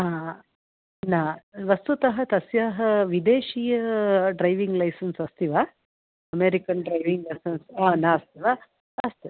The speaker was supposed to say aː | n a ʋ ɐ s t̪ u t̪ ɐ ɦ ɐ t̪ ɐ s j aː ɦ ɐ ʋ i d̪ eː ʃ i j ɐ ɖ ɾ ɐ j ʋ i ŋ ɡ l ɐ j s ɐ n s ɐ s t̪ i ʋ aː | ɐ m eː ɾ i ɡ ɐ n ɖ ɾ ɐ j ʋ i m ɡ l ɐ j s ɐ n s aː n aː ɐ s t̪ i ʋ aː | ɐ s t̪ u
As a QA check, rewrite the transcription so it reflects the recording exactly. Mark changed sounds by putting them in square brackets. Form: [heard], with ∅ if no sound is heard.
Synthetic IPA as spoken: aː | n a ʋ ɐ s t̪ u t̪ ɐ ɦ ɐ t̪ ɐ s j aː ɦ ɐ ʋ i d̪ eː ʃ i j ɐ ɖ ɾ ɐ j ʋ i ŋ ɡ l ɐ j s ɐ n s ɐ s t̪ i ʋ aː | ɐ m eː ɾ i [k] ɐ n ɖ ɾ ɐ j ʋ i [ŋ] ɡ l ɐ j s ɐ n s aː n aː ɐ s t̪ i ʋ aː | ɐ s t̪ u